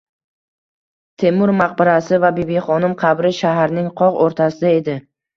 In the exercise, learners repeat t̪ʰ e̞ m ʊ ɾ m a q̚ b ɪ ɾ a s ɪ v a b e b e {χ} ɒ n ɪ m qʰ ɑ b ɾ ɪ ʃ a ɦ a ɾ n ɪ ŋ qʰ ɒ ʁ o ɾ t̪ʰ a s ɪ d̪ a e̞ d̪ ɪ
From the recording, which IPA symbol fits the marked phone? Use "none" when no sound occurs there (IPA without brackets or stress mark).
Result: χ